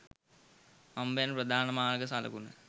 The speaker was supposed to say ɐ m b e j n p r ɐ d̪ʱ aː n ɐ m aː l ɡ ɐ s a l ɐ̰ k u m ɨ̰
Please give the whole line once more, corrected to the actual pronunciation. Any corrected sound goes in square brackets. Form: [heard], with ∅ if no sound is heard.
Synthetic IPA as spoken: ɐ m b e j n p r ɐ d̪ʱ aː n ɐ m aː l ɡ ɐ s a l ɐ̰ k u [n] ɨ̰